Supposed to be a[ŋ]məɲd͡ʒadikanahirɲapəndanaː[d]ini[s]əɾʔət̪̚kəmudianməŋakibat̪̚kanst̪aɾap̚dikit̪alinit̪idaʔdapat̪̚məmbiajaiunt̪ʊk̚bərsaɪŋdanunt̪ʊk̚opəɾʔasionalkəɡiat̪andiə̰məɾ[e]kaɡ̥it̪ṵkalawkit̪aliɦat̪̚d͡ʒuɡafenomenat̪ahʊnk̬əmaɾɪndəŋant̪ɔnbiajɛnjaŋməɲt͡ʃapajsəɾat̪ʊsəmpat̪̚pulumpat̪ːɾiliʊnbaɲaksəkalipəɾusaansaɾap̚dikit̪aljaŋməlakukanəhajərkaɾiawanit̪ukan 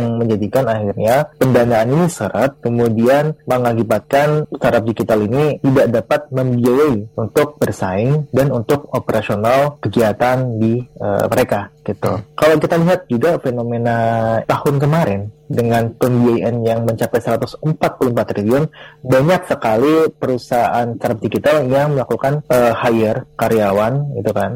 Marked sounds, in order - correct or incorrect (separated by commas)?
correct, incorrect, correct, correct